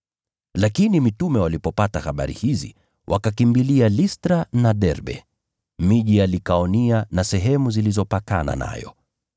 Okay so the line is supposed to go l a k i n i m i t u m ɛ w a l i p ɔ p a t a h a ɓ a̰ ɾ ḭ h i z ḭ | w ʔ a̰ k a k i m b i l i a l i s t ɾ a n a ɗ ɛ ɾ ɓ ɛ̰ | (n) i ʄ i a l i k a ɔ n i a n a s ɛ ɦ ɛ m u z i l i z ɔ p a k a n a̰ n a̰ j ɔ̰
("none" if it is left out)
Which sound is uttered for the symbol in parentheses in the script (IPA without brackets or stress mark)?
m